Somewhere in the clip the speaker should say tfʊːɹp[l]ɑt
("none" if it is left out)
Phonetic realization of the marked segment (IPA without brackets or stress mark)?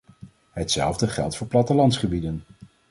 l